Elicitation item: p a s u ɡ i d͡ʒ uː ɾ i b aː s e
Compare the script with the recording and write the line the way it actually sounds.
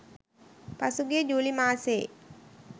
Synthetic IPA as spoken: p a s u ɡ e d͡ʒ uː l i m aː s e